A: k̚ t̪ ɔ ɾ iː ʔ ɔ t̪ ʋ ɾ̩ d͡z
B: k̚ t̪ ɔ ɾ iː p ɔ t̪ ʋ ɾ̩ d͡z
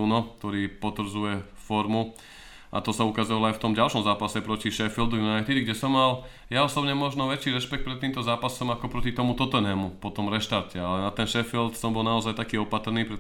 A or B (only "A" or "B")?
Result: B